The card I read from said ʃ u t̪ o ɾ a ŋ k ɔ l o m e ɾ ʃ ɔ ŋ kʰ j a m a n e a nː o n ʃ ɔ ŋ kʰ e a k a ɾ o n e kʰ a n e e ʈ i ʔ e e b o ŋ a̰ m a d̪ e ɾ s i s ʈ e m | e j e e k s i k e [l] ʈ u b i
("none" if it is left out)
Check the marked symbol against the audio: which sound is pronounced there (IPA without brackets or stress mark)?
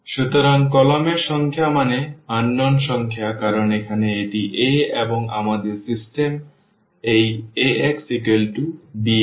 l